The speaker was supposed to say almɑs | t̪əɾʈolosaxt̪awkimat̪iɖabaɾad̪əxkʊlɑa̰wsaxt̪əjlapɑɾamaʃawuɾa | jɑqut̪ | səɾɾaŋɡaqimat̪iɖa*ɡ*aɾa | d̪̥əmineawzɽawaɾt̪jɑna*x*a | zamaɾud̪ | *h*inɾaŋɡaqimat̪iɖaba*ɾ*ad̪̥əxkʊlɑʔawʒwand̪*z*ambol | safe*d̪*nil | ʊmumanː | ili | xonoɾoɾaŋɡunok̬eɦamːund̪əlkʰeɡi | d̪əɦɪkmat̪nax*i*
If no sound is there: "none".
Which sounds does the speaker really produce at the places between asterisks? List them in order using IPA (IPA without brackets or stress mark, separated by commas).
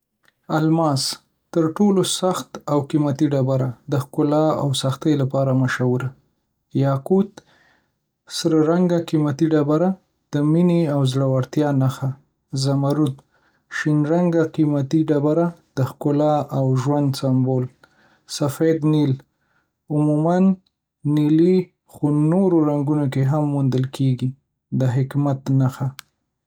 b, x, ʃ, ɾ, s, d̪, a